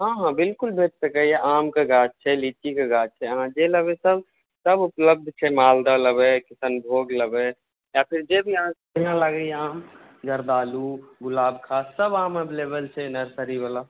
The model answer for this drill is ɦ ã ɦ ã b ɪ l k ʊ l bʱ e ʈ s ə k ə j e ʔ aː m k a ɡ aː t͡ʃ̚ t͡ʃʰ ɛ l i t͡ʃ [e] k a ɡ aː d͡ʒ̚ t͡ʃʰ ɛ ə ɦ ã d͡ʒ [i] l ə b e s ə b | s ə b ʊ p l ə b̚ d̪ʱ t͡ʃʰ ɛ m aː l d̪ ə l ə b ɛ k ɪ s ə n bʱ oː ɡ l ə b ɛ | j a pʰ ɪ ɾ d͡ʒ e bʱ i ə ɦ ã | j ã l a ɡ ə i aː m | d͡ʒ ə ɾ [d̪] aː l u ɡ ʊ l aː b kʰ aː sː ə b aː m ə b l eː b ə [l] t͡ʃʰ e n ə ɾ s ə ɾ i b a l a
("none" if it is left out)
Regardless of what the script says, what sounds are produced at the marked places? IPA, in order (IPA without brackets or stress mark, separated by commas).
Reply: i, e, d̪, l